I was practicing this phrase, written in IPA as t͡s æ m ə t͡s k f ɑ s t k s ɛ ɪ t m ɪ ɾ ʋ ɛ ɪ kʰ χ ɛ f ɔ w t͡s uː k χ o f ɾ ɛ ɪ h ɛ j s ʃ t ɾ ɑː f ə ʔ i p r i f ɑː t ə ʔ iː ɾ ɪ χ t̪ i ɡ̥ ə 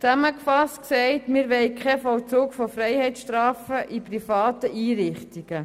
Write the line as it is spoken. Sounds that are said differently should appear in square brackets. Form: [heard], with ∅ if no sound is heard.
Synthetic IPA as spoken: t͡s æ m ə [∅] k f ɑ s t k s ɛ ɪ t m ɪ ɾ ʋ ɛ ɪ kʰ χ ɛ f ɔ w t͡s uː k [f] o f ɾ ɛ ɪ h ɛ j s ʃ t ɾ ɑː f ə ʔ i p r i f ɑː t ə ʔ iː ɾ ɪ χ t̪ i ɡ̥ ə